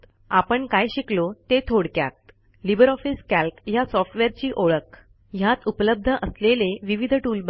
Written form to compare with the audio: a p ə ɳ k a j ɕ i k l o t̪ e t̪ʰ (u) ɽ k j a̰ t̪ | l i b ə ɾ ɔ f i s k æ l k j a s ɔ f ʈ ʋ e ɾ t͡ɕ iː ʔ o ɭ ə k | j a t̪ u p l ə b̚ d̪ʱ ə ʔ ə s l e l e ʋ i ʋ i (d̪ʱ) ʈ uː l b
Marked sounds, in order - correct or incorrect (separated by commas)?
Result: incorrect, correct